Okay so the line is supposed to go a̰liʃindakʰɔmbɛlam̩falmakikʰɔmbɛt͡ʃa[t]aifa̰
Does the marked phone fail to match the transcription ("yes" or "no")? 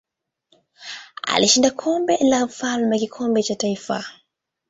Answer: no